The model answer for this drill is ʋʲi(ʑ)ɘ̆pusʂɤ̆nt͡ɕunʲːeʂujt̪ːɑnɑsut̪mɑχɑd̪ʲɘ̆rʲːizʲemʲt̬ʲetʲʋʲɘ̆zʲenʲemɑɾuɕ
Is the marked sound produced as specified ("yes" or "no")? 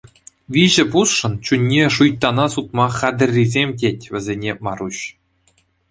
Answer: yes